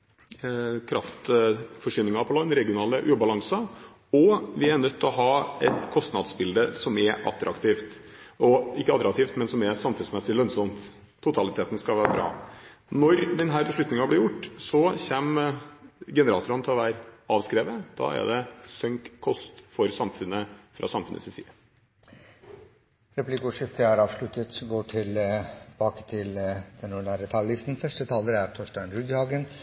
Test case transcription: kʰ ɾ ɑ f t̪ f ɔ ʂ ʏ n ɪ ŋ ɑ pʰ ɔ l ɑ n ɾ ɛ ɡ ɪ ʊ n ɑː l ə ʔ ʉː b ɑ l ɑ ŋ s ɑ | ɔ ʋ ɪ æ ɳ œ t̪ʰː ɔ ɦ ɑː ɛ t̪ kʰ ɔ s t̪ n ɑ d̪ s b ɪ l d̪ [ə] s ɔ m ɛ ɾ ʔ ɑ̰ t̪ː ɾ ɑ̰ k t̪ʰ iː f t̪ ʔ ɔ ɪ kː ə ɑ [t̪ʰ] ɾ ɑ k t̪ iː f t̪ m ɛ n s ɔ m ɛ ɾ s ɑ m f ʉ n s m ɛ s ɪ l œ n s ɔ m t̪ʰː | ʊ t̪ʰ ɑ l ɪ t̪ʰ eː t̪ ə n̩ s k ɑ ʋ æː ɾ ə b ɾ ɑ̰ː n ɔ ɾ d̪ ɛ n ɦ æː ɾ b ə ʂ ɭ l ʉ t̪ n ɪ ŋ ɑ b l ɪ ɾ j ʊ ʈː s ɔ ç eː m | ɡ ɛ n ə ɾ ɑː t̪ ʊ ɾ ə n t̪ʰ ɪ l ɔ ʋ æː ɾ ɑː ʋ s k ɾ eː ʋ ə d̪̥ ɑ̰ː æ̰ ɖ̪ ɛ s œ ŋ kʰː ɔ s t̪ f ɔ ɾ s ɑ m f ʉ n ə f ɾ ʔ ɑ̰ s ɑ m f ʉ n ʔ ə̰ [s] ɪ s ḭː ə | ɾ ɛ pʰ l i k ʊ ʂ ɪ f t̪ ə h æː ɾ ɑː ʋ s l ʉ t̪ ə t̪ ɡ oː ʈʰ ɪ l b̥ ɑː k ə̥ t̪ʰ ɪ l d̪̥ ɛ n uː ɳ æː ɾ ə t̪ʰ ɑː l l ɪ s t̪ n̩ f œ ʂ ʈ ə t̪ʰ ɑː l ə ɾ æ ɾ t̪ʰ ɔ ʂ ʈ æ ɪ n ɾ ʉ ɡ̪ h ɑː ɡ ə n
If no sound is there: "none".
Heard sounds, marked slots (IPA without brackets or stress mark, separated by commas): ə, t̪, s